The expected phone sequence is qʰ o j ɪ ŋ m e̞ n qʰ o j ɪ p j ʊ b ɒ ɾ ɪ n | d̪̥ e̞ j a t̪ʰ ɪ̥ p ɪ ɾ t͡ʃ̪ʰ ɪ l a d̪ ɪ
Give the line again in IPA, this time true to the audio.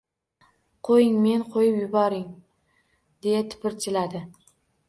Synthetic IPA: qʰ o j ɪ ŋ m e̞ n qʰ o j ɪ p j ʊ b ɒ ɾ ɪ ŋ | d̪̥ e̞ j a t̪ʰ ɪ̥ p ɪ ɾ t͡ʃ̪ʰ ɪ l a d̪ ɪ